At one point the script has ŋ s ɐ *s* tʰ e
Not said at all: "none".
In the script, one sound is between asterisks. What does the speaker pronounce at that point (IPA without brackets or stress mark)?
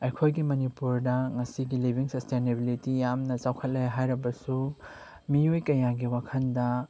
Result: s